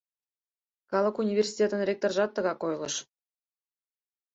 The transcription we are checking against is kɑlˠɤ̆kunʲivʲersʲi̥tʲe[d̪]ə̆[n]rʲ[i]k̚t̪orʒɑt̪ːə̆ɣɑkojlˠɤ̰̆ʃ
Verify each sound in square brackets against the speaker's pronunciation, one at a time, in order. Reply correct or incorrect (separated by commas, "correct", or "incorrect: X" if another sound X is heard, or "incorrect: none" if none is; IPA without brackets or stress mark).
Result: incorrect: t̪, correct, incorrect: e